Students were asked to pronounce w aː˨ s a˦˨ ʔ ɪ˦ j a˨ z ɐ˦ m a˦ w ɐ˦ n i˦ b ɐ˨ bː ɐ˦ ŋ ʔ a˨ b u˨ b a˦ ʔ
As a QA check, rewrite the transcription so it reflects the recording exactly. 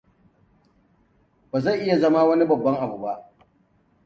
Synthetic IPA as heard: b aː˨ z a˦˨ ʔ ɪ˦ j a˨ z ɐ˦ m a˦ w ɐ˦ n i˦ b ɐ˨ bː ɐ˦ ŋ ʔ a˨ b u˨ b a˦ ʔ